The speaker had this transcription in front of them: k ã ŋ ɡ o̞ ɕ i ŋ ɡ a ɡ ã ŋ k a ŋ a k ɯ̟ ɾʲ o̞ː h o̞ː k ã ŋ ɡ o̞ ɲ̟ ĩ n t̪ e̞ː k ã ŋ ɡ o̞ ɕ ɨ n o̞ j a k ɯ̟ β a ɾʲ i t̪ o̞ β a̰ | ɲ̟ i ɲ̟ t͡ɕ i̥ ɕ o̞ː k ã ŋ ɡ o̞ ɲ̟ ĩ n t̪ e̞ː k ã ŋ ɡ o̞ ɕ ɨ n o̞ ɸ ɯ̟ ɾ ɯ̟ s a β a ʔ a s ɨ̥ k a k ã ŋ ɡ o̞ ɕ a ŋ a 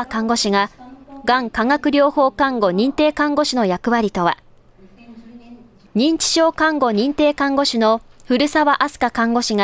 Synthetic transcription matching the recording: k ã ŋ ɡ o̞ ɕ i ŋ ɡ a ɡ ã ŋ k a ŋ a k ɯ̟ ɾʲ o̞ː h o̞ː k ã ŋ ɡ o̞ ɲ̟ ĩ n t̪ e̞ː k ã ŋ ɡ o̞ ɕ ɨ n o̞ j a k ɯ̟ β a ɾʲ i t̪ o̞ β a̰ | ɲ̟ ĩ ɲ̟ t͡ɕ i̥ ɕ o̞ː k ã ŋ ɡ o̞ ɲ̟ ĩ n t̪ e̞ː k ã ŋ ɡ o̞ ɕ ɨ n o̞ ɸ ɯ̟ ɾ ɯ̟ s a β a ʔ a s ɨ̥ k a k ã ŋ ɡ o̞ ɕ i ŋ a